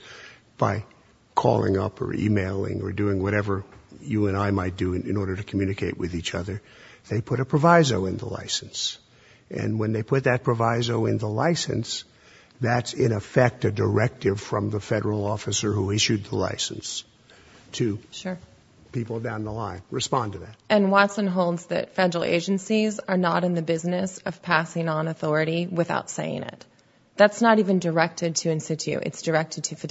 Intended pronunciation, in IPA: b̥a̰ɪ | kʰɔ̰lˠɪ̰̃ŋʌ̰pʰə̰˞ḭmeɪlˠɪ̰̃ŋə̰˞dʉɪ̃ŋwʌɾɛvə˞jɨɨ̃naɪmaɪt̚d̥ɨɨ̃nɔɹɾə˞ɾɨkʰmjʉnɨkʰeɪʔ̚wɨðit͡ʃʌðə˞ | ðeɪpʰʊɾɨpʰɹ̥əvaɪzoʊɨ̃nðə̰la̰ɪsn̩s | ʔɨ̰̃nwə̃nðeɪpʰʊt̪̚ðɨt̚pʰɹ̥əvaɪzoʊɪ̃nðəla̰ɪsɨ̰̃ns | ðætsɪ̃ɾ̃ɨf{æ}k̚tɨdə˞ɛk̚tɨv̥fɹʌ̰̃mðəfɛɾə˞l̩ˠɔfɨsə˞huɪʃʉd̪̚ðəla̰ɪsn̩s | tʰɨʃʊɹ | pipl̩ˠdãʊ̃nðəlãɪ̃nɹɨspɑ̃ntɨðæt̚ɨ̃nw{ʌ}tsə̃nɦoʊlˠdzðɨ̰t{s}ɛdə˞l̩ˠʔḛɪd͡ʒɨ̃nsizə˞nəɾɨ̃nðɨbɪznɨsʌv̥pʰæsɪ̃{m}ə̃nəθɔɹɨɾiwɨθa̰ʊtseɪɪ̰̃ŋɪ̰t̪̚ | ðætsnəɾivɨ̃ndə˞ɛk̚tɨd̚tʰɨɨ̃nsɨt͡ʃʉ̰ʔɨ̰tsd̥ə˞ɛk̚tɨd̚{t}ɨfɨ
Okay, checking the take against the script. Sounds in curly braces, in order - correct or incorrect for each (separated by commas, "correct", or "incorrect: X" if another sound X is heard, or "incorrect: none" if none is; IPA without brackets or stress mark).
incorrect: ɛ, incorrect: ɑ, incorrect: f, incorrect: ŋ, incorrect: tʰ